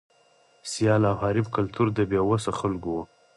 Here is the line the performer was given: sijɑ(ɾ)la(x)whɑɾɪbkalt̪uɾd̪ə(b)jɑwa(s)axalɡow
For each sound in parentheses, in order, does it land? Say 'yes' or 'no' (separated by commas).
no, no, yes, yes